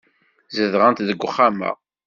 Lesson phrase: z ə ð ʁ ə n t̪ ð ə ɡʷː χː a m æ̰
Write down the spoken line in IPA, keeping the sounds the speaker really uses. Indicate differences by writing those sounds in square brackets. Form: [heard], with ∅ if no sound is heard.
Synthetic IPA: z ə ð ʁ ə n t̪ ð ə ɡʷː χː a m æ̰